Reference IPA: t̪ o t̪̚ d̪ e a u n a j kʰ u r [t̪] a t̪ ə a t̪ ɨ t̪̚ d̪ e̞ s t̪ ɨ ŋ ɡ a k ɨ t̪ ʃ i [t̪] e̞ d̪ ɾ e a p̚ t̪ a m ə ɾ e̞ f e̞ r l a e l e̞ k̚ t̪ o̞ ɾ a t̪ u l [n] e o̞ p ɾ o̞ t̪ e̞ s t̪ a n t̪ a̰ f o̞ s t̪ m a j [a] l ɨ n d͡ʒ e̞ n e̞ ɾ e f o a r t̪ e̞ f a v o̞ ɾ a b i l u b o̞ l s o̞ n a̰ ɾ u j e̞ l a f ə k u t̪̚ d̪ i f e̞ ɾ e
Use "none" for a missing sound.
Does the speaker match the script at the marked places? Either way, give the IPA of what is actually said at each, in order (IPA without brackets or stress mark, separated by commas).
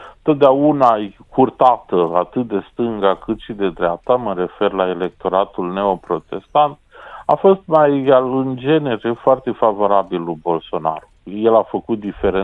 t̪, d̪, n, a